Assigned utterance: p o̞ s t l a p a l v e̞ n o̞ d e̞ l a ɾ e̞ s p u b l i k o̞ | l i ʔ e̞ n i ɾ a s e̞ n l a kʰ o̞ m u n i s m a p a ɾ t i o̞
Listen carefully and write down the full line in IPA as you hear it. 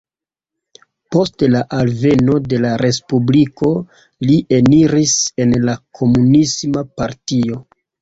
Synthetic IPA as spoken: p o̞ s t l a ʔ a l v e̞ n o̞ d e̞ l a ɾ e̞ s p u b l i k o̞ | l i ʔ e̞ n i ɾ i s e̞ n l a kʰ o̞ m u n i s m a p a ɾ t i o̞